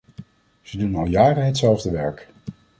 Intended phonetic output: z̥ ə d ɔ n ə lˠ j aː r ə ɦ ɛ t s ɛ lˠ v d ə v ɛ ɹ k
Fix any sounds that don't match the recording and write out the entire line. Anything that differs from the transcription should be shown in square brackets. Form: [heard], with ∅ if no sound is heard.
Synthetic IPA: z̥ ə d [u] n [ɑ] lˠ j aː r ə ɦ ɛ t s ɛ lˠ v d ə [ʋ] ɛ ɹ k